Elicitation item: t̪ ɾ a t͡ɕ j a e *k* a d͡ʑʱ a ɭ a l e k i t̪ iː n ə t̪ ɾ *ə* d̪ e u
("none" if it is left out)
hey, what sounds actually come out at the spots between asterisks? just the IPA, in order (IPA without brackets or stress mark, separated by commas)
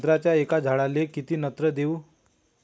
k, ə